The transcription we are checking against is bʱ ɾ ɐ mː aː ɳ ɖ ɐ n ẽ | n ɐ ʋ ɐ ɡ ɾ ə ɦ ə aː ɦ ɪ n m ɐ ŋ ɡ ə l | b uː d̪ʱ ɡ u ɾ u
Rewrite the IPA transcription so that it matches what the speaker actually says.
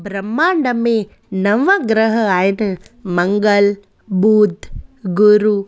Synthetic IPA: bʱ ɾ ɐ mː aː ɳ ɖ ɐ m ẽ | n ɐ ʋ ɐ ɡ ɾ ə ɦ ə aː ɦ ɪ n m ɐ ŋ ɡ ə l | b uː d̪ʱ ɡ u ɾ u